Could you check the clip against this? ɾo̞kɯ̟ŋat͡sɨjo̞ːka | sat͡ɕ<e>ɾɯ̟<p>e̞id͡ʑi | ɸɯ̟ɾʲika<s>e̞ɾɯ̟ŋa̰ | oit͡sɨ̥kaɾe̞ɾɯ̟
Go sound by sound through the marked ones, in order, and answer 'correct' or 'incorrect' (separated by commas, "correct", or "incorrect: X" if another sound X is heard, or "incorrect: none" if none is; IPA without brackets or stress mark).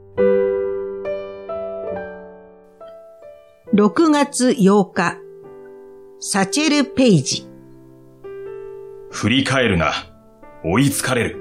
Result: correct, correct, incorrect: none